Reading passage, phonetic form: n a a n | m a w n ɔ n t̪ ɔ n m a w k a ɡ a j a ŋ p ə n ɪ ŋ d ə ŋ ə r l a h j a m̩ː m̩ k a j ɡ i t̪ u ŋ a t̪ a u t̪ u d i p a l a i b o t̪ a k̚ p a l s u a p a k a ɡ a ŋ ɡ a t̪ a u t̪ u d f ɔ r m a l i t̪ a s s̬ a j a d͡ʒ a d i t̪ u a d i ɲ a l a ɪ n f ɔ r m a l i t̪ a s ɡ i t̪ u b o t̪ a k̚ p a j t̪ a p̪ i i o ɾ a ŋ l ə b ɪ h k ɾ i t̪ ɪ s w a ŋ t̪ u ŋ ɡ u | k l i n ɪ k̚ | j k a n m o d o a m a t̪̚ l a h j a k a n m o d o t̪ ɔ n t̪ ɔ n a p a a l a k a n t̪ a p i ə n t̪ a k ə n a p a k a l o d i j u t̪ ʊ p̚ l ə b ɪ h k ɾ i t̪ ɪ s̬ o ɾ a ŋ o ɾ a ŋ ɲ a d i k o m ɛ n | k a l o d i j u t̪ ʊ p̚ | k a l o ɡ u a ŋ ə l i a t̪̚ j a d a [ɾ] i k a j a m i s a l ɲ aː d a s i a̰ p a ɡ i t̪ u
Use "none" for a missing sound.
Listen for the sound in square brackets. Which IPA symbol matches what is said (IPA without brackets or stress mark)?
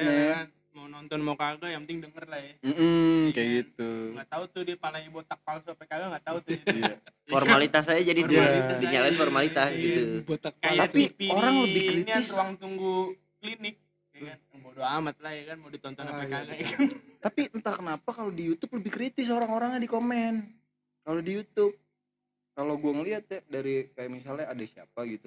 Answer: ɾ